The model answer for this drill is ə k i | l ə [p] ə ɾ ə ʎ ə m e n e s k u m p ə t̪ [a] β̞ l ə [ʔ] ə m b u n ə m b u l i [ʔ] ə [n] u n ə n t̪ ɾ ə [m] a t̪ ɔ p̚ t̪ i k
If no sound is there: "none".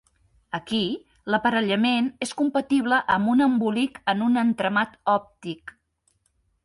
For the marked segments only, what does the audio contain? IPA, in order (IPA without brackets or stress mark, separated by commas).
p, i, ʔ, k, n, m